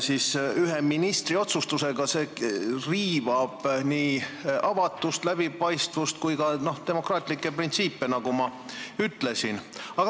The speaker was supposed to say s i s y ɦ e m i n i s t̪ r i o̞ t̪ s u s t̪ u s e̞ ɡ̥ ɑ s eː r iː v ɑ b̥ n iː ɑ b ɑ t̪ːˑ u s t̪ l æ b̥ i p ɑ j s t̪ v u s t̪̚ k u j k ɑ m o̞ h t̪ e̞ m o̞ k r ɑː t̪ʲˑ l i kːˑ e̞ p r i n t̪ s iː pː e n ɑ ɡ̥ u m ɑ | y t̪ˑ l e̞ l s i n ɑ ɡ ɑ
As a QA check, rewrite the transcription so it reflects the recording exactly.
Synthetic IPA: s i s y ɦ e m i n i s t̪ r i o̞ t̪ s u s t̪ u s e̞ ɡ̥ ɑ s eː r iː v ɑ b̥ n iː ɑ v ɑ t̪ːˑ u s t̪ l æ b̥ i p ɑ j s t̪ v u s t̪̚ k u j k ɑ n o̞ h t̪ e̞ m o̞ k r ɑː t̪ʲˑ l i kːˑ e̞ p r i n t̪ s iː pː e n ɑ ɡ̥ u m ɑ | y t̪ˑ l e̞ s i n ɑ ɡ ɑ